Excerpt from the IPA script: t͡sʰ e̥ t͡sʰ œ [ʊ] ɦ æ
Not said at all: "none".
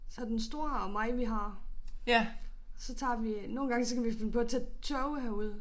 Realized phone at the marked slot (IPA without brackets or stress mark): ʊ